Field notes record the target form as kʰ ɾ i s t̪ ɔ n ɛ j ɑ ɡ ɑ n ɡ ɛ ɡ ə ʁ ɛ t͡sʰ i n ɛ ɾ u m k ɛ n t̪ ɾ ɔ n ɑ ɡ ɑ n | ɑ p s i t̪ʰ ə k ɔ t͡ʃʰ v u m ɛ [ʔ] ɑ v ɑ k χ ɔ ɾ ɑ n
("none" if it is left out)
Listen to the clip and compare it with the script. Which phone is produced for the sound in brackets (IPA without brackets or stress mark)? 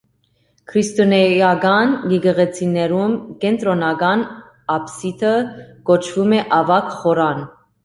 ʔ